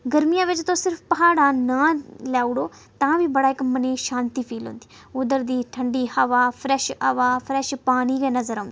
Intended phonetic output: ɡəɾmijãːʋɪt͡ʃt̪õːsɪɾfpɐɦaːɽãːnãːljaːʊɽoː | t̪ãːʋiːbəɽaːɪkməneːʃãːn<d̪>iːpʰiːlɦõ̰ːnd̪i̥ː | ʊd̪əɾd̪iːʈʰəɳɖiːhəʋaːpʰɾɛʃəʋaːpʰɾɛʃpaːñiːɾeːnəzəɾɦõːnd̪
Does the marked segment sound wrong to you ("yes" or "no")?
yes